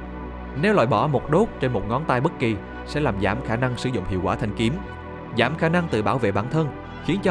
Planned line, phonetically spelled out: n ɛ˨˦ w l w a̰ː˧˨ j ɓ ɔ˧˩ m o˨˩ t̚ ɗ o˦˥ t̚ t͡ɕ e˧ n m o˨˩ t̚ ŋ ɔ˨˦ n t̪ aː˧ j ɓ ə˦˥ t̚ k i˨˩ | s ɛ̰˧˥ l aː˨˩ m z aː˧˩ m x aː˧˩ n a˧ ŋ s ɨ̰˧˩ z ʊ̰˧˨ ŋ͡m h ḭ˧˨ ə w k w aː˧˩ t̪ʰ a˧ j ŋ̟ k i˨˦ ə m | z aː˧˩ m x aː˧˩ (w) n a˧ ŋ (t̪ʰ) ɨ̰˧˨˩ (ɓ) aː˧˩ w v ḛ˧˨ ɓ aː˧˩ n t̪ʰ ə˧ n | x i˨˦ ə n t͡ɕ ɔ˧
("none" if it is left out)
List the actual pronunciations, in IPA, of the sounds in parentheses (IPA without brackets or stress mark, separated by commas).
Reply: none, t̪, ɓ